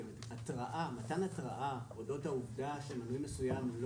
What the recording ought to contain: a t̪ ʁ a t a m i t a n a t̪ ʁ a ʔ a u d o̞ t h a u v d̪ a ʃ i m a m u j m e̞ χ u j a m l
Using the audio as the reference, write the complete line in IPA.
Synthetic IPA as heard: a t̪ ʁ a ʔ a m a t a n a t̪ ʁ a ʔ a o d o̞ t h a u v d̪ a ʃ e m a n u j m e̞ s u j a m l